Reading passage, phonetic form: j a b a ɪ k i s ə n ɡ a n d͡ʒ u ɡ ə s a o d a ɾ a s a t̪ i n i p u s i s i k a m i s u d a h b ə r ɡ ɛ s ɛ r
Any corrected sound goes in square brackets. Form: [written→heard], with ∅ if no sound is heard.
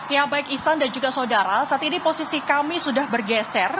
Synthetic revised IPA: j a b a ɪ k i s [ə→a] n [ɡ→d] a n d͡ʒ u ɡ [ə→a] s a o d a ɾ a s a t̪ i n i p [u→o] s i s i k a m i s u d a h b ə r ɡ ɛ s ɛ r